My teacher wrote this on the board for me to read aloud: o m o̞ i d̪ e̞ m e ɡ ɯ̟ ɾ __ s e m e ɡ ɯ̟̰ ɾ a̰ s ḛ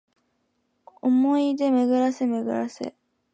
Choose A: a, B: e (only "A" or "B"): A